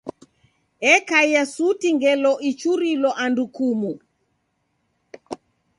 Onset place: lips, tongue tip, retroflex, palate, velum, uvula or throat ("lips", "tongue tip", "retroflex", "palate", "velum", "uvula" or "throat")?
velum